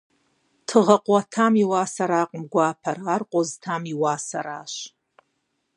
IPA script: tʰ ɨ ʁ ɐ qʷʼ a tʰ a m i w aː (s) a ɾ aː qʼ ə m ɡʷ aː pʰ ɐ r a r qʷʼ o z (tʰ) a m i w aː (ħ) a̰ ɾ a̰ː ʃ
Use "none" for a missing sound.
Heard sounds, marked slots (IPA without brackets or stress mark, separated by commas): s, tʰ, s